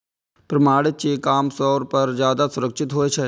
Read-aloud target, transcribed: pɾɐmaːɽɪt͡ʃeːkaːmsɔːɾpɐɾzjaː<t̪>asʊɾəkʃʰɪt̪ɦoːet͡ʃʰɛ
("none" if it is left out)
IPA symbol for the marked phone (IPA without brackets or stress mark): d̪